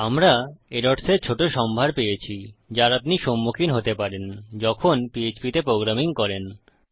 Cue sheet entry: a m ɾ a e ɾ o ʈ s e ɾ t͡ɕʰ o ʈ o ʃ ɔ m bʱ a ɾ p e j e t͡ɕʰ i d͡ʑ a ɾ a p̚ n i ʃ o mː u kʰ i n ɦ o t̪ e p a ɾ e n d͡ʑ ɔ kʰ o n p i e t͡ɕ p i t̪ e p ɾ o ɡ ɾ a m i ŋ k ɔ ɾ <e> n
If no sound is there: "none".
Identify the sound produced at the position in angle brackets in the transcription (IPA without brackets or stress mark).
e